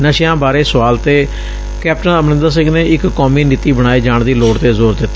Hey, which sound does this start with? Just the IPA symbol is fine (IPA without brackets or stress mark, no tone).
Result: n